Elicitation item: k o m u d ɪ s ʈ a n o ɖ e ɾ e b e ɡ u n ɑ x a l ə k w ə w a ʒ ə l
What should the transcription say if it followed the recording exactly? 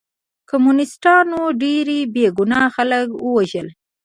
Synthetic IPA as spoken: k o m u n ɪ s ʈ ɑ n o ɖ e ɾ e b e ɡ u n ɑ x a l ə k w ə w a ʒ ə l